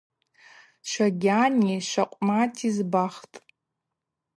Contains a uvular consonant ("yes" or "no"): yes